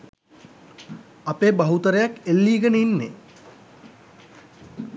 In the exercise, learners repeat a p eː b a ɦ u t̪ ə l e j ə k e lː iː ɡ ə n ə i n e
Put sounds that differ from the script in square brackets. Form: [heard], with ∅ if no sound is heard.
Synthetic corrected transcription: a p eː b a ɦ u t̪ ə [ɾ] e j [a] k e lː iː ɡ ə n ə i [nː] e